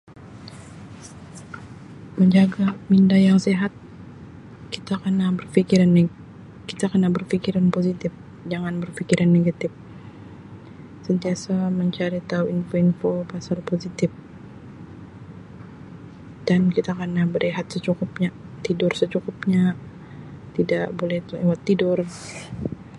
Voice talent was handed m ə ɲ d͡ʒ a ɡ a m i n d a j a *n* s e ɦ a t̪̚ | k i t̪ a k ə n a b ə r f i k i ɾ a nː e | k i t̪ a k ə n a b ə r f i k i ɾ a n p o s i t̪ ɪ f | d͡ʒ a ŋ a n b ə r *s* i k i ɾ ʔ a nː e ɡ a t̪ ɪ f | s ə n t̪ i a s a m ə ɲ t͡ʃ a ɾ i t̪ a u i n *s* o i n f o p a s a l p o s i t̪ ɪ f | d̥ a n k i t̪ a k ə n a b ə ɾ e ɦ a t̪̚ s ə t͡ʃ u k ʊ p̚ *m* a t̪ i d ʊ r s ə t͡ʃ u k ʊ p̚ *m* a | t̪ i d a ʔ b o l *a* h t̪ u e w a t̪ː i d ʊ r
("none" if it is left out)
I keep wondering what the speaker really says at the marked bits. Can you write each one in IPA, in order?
ŋ, f, f, ɲ, ɲ, ɛ

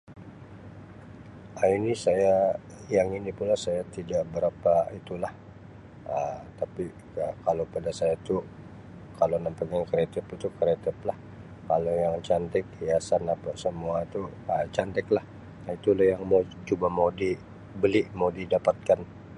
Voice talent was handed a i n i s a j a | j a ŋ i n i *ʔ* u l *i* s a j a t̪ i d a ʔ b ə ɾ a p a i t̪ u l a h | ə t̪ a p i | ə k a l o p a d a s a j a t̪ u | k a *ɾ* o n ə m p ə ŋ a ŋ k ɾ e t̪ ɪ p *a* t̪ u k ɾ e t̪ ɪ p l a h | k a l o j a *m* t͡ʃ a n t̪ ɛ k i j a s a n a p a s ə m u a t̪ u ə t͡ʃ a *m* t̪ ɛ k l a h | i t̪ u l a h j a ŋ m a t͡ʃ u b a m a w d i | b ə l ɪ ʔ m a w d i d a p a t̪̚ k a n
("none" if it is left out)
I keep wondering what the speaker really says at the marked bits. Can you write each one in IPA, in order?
p, a, l, i, ŋ, n

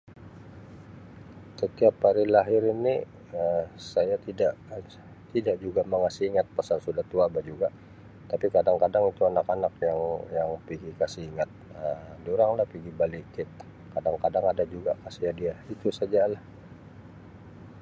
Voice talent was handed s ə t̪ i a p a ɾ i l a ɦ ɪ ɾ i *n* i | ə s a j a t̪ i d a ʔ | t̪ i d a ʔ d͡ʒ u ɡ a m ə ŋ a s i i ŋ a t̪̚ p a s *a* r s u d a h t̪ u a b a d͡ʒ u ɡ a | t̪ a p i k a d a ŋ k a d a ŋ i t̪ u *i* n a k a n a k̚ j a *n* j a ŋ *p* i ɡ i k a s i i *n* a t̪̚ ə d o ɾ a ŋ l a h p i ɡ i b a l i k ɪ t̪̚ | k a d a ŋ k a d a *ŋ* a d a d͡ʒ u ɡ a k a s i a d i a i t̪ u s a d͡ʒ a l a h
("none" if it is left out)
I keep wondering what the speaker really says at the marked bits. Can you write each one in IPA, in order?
n, a, a, ŋ, p, ŋ, ŋ

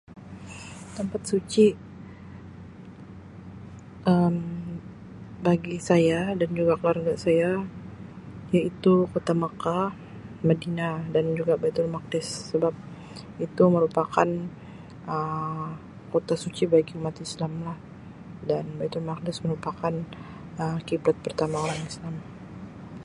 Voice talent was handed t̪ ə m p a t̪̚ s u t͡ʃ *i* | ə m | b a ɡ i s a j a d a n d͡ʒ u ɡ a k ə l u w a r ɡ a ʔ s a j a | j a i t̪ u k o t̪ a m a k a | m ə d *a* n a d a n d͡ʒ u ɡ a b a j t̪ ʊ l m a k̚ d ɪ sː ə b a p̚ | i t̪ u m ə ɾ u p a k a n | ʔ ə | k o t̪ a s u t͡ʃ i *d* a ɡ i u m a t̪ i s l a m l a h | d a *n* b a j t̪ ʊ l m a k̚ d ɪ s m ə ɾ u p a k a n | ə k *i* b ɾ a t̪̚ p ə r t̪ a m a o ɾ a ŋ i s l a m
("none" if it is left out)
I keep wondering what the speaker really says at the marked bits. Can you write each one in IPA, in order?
i, i, b, n, i

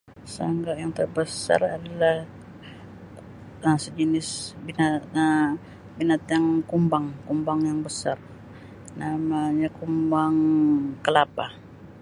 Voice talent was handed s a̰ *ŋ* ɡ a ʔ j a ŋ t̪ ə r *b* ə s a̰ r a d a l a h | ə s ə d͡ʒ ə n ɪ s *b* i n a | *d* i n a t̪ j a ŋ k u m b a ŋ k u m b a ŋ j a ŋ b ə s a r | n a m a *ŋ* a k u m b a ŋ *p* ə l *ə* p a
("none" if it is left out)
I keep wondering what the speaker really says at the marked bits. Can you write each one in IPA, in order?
ŋ, b, b, b, ɲ, k, a

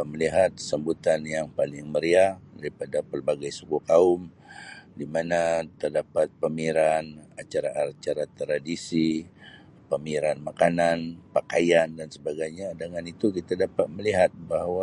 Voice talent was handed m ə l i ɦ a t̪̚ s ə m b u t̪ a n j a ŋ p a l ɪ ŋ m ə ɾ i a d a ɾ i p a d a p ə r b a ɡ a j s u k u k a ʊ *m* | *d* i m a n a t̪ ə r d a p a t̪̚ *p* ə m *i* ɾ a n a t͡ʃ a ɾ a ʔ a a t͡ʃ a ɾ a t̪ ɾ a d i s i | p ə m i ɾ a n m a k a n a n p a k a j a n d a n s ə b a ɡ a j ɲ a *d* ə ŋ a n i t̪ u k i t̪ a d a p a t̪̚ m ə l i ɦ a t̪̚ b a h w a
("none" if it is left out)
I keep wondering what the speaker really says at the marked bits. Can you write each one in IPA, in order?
m, d, p, i, d

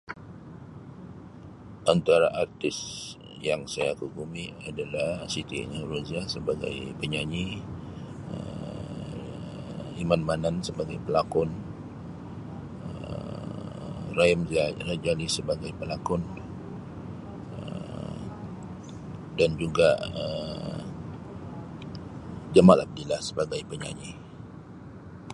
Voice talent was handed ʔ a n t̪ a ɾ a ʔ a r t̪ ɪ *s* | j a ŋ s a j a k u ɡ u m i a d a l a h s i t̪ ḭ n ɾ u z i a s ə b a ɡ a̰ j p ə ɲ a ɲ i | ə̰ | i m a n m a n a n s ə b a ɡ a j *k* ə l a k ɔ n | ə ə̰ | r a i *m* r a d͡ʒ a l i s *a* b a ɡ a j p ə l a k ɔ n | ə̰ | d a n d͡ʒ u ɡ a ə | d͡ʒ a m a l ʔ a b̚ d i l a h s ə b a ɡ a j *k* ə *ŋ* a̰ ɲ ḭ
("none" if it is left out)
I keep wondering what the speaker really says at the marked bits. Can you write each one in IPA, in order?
s, p, m, ə, p, ɲ

